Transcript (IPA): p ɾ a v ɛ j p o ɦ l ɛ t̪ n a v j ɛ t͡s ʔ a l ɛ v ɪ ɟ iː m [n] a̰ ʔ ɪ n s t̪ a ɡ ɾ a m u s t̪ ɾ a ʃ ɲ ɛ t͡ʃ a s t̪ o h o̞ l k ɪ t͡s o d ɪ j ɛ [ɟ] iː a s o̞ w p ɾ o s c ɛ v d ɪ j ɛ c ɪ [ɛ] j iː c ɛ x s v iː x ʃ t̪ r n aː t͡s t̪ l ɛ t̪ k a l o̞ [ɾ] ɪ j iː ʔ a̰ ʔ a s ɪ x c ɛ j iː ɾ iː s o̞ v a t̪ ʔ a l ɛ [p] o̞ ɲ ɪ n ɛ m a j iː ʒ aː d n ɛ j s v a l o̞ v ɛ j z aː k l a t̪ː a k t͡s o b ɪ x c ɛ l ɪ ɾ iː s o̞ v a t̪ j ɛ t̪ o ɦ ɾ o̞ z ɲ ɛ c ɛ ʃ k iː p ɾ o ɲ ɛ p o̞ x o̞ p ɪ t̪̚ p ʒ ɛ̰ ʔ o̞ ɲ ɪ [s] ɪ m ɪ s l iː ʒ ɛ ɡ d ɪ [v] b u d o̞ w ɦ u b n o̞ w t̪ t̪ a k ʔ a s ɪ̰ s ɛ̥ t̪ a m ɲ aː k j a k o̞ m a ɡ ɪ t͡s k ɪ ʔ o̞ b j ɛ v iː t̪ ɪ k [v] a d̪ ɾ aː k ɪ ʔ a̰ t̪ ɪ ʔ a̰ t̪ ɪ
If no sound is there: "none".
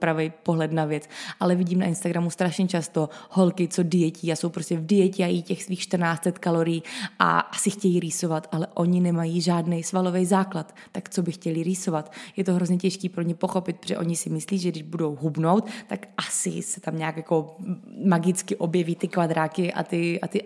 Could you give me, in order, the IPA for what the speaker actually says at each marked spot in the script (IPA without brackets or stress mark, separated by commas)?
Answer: n, c, a, ɾ, ʔ, s, ʒ, v